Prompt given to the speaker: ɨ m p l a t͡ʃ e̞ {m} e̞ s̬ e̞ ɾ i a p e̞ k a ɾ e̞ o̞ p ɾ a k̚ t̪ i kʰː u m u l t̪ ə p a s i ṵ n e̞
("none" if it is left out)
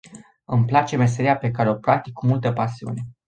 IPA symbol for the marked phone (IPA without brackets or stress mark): m